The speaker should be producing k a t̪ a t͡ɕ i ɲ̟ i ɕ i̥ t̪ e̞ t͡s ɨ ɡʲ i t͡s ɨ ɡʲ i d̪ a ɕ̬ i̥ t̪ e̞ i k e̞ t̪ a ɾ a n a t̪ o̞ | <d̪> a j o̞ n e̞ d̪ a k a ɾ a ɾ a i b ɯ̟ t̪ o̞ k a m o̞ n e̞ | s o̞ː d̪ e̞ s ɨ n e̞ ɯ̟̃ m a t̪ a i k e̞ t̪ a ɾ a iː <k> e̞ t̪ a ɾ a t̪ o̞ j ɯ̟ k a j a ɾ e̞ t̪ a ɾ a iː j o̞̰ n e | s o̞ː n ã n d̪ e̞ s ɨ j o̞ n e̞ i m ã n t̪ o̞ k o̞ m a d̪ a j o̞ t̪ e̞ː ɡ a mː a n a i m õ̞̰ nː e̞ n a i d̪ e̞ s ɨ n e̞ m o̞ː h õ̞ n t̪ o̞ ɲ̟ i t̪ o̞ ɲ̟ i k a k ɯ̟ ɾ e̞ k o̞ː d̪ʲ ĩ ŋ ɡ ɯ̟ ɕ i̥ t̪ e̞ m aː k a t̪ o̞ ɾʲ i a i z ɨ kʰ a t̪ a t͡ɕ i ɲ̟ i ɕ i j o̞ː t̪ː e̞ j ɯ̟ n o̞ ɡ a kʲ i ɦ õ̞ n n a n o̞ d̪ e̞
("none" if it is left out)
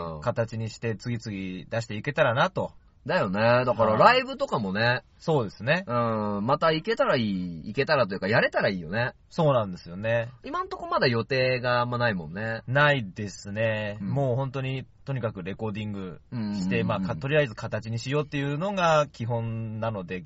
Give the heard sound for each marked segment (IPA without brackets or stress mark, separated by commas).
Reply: d̪, k